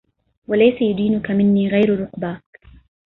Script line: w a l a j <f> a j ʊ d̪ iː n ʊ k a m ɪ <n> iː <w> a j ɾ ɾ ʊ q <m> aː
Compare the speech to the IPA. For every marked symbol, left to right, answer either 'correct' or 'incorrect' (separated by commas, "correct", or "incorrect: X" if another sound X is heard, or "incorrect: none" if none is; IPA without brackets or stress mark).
incorrect: s, incorrect: nː, incorrect: ɣ, incorrect: b